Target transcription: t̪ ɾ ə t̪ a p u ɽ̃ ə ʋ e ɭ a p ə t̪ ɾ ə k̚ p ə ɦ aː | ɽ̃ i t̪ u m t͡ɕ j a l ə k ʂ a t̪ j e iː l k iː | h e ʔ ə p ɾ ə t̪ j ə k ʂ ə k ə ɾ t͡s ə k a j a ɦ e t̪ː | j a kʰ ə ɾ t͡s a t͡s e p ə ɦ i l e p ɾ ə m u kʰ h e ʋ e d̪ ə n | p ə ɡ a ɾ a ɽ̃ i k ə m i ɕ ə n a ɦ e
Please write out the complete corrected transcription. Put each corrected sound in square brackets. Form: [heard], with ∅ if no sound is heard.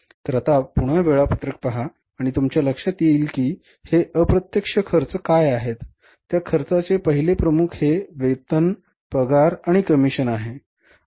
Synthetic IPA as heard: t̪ ɾ ə t̪ a p u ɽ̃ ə ʋ e ɭ a p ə t̪ ɾ ə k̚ p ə ɦ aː | ɽ̃ i t̪ u m t͡ɕ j a l ə k ʂ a t̪ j e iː l k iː | h e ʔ ə p ɾ ə t̪ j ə k ʂ ə [kʰ] ə ɾ t͡s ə k a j a ɦ e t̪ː | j a kʰ ə ɾ t͡s a t͡s e p ə ɦ i l e p ɾ ə m u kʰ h e ʋ e [t̪] ə n | p ə ɡ a ɾ a ɽ̃ i k ə m i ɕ ə n a ɦ e